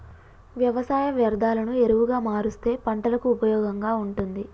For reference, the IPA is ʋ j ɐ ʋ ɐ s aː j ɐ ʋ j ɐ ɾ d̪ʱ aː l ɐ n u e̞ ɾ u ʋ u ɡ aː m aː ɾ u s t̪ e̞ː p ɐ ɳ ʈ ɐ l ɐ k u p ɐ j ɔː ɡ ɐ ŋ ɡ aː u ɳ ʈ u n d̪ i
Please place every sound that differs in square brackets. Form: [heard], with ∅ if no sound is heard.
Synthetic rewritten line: ʋ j ɐ ʋ ɐ s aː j ɐ ʋ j ɐ ɾ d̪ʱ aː l ɐ n u e̞ ɾ u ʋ u ɡ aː m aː ɾ u s t̪ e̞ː p ɐ ɳ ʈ ɐ l ɐ k [uː] p ɐ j ɔː ɡ ɐ ŋ ɡ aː u ɳ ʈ u n d̪ i